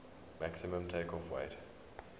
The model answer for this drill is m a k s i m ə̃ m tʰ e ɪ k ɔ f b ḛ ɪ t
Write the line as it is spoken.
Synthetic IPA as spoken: m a k s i m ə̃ m tʰ e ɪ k ɔ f w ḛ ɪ t